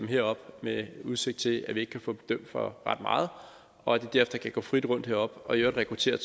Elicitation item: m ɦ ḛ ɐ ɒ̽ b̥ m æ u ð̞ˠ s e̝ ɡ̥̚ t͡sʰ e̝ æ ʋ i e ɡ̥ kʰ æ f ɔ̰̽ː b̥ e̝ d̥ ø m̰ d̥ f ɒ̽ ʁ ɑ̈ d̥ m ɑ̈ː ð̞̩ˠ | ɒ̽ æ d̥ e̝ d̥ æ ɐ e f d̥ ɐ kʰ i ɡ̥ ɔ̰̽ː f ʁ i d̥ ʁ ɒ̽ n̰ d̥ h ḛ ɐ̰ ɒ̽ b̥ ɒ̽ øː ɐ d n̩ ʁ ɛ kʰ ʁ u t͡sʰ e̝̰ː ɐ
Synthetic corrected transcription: m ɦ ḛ ɐ ɒ̽ b̥ m e u ð̞ˠ s e̝ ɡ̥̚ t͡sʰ e̝ æ ʋ i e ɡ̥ kʰ æ f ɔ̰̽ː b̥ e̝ d̥ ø m̰ d̥ f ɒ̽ ʁ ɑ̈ d̥ m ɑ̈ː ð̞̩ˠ | ɒ̽ æ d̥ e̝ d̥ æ ɐ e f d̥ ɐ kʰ æ ɡ̥ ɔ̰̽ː f ʁ i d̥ ʁ ɔ̽ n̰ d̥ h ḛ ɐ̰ ɒ̽ b̥ ɒ̽ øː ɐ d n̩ ʁ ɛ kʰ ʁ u t͡sʰ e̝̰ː ɐ